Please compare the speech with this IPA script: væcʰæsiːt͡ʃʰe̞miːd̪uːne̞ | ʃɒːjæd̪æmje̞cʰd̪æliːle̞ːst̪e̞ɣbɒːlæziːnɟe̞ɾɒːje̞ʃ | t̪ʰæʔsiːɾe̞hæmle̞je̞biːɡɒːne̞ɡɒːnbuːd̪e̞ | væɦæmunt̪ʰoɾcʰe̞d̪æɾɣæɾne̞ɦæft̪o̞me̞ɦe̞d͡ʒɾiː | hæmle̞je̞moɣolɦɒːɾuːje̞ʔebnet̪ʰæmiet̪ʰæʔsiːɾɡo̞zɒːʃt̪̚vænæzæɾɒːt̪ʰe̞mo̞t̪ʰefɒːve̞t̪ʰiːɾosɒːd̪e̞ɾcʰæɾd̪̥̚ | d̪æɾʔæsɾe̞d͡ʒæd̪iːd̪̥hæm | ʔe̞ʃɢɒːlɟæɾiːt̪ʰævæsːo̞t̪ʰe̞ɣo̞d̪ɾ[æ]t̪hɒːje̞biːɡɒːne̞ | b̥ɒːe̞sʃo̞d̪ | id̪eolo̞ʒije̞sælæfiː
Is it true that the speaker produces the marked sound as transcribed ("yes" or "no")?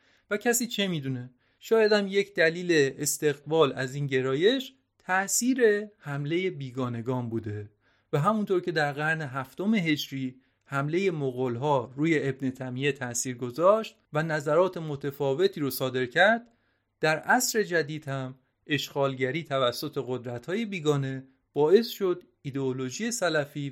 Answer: yes